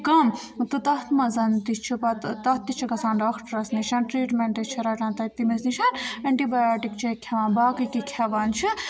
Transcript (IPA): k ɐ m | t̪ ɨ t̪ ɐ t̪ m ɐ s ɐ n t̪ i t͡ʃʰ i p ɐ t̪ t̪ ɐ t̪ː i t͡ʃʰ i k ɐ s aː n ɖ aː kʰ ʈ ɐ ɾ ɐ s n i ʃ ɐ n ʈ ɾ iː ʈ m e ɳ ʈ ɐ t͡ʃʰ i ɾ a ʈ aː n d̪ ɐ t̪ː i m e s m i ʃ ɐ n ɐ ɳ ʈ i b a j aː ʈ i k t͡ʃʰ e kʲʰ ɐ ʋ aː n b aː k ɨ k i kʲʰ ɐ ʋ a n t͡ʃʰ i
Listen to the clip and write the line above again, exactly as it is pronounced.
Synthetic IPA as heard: k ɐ m | t̪ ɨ t̪ ɐ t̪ m ɐ z ɐ n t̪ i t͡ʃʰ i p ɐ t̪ t̪ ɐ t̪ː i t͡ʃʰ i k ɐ s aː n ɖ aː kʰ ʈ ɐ ɾ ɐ s n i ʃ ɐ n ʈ ɾ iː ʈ m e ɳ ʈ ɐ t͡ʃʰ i ɾ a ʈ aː n t̪ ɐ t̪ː i m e s n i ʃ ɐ n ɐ ɳ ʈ i b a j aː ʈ i k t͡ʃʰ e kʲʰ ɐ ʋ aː n b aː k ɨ k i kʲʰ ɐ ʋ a n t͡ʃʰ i